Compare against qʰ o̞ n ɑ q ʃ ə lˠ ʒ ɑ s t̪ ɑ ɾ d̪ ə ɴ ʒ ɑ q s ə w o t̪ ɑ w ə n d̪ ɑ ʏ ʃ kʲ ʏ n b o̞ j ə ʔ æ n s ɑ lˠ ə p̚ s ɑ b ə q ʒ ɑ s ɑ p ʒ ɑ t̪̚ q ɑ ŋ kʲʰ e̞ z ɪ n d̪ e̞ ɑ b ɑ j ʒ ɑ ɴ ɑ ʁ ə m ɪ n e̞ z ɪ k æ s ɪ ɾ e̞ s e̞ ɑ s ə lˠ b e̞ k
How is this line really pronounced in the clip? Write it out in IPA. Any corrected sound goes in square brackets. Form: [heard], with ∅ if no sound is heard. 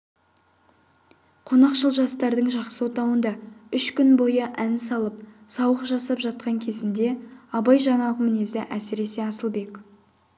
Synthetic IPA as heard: qʰ o̞ n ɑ q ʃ ə lˠ ʒ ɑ s t̪ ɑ ɾ d̪ ə ɴ ʒ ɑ q s ə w o t̪ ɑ w ə n d̪ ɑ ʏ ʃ kʲ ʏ n b o̞ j ə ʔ æ n s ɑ lˠ ə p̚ s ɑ [w] ə q ʒ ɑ s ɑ p ʒ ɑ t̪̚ q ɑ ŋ kʲʰ e̞ z ɪ n d̪ e̞ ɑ b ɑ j ʒ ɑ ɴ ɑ ʁ ə m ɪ n e̞ z ɪ [ʔ] æ s ɪ ɾ e̞ s e̞ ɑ s ə lˠ b e̞ k

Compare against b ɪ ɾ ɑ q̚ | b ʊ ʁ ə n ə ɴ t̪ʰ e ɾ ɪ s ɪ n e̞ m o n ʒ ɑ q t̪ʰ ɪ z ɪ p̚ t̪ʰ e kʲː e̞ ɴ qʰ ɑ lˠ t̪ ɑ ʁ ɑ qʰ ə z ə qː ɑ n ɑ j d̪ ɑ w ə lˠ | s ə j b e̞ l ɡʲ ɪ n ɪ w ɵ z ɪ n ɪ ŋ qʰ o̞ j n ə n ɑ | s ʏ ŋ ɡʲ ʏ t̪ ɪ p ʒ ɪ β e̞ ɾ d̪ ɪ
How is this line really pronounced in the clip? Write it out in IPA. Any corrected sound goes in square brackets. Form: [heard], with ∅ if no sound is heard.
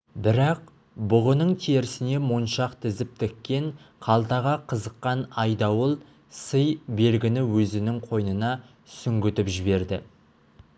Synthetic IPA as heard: b ɪ ɾ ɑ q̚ | b ʊ ʁ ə n ə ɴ t̪ʰ e ɾ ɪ s ɪ n e̞ m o n [ʃ] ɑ q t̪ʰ ɪ z ɪ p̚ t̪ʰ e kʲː e̞ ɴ qʰ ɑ lˠ t̪ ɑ ʁ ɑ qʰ ə z ə qː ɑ n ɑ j d̪ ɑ w ə lˠ | s ə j b e̞ l ɡʲ ɪ n ɪ w ɵ z ɪ n ɪ ŋ qʰ o̞ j n ə n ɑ | s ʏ ŋ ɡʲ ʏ t̪ ɪ p ʒ ɪ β e̞ ɾ d̪ ɪ

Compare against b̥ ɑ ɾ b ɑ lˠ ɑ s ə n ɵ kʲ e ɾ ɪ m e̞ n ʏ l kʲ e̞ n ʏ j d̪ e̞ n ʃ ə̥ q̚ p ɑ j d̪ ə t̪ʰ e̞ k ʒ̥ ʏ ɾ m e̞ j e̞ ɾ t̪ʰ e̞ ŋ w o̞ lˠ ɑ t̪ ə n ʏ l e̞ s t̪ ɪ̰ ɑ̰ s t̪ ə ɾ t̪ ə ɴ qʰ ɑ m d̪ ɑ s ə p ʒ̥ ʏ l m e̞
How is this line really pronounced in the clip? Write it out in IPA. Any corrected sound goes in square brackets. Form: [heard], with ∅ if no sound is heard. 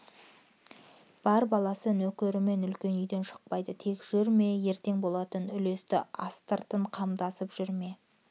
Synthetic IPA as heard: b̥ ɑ ɾ b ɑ lˠ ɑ s ə n ɵ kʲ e ɾ ɪ m e̞ n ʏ l kʲ e̞ n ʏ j d̪ e̞ n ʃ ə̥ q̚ p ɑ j d̪ ə t̪ʰ e̞ k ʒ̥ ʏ ɾ m e̞ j e̞ ɾ [t̪] e̞ ŋ [b] o̞ lˠ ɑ t̪ ə n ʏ l e̞ s t̪ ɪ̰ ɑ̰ s t̪ ə ɾ t̪ ə ɴ qʰ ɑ m d̪ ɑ s ə p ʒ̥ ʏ [ɾ] m e̞

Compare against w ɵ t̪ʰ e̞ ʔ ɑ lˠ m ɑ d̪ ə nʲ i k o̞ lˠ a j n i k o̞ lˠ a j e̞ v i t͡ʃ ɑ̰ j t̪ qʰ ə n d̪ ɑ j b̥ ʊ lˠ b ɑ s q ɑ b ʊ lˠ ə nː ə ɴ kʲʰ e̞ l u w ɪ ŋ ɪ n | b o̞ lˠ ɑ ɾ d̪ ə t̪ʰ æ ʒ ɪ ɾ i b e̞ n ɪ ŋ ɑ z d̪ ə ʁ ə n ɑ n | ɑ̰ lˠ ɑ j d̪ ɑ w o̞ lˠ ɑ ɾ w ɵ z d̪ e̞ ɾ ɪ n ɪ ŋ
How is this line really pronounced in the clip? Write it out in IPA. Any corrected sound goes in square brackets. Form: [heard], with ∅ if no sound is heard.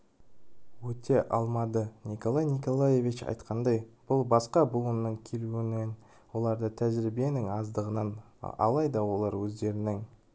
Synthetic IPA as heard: w ɵ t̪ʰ e̞ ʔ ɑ lˠ m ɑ d̪ ə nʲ i k o̞ lˠ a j n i k o̞ lˠ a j e̞ v i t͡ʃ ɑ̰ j t̪ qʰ [ɑ] n d̪ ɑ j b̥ ʊ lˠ b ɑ s q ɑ b ʊ lˠ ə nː ə ɴ kʲʰ e̞ l u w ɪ [n] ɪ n | [w] o̞ lˠ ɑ ɾ d̪ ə t̪ʰ æ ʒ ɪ ɾ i b e̞ n ɪ ŋ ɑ z d̪ ə ʁ ə n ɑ n | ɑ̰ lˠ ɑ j d̪ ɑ w o̞ lˠ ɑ ɾ w ɵ z d̪ e̞ ɾ ɪ n ɪ ŋ

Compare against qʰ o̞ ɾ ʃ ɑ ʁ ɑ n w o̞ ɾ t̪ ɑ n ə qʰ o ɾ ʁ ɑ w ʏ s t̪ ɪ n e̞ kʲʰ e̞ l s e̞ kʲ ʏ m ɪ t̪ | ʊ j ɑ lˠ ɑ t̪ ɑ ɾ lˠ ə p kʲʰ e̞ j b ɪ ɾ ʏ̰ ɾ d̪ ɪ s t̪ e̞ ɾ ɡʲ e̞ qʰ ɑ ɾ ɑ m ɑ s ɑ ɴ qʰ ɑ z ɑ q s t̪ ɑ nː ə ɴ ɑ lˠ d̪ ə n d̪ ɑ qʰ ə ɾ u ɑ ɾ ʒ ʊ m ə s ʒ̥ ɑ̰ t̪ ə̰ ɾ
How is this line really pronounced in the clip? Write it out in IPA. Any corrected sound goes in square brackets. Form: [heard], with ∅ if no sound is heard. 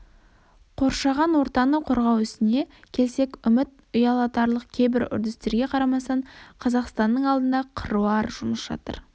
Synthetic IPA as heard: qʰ o̞ ɾ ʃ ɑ ʁ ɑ n w o̞ ɾ t̪ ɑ n ə qʰ o ɾ ʁ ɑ w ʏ s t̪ ɪ n e̞ kʲʰ e̞ l s e̞ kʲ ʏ m ɪ t̪ | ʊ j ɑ lˠ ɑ t̪ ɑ ɾ lˠ ə [q] kʲʰ e̞ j b ɪ ɾ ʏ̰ ɾ d̪ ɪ s t̪ e̞ ɾ ɡʲ e̞ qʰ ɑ ɾ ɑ m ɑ s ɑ ɴ qʰ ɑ z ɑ q s t̪ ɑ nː ə ɴ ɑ lˠ d̪ ə n d̪ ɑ qʰ ə ɾ u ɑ ɾ ʒ ʊ m ə s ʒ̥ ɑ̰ t̪ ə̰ ɾ

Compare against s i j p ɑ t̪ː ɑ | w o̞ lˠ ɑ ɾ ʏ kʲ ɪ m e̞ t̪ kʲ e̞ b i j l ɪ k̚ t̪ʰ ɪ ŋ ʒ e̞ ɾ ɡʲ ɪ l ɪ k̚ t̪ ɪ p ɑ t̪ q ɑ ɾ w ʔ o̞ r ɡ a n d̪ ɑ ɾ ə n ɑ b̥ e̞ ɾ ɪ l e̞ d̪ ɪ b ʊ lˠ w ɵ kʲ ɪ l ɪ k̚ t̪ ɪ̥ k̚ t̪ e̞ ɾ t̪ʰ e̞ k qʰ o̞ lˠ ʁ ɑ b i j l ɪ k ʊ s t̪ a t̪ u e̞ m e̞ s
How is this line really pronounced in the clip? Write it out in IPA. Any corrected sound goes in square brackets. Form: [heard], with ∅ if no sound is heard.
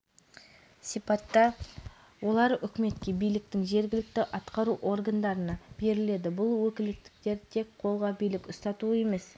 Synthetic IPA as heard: s i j p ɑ t̪ː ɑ | w o̞ lˠ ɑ ɾ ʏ kʲ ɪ m e̞ t̪ kʲ e̞ b i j l ɪ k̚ [t̪] ɪ ŋ ʒ e̞ ɾ ɡʲ ɪ l ɪ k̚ t̪ ɪ [ʔ] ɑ t̪ q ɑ ɾ [u] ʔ o̞ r ɡ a n d̪ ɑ ɾ ə n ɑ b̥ e̞ ɾ ɪ l e̞ d̪ ɪ b ʊ lˠ w ɵ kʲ ɪ l ɪ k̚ t̪ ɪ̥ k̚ t̪ e̞ ɾ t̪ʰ e̞ k qʰ o̞ lˠ ʁ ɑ b i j l ɪ k ʊ s t̪ [ɑ] t̪ u e̞ m e̞ s

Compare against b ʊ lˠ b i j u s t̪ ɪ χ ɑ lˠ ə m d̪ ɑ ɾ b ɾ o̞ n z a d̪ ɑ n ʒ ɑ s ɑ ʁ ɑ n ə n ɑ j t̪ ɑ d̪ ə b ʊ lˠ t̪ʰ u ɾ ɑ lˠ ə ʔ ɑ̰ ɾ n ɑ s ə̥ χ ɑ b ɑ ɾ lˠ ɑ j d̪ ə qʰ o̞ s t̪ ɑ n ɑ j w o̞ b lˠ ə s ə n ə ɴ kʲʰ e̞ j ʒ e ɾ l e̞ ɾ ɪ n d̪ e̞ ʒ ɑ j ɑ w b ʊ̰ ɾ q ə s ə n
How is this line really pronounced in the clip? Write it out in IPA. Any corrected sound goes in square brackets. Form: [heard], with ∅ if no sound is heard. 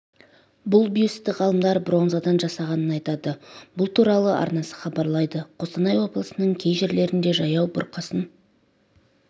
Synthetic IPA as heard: b ʊ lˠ b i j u s t̪ ɪ [ʁ] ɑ lˠ ə m d̪ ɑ ɾ b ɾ o̞ n z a d̪ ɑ n ʒ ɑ s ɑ ʁ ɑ n ə n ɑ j t̪ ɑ d̪ ə b ʊ lˠ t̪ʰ u ɾ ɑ lˠ ə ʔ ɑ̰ ɾ n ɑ s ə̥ χ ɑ b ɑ ɾ lˠ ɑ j d̪ ə qʰ o̞ s t̪ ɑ n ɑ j w o̞ b lˠ ə s ə n ə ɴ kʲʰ e̞ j ʒ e ɾ l e̞ ɾ ɪ n d̪ e̞ ʒ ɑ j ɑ w b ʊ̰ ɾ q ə s ə n

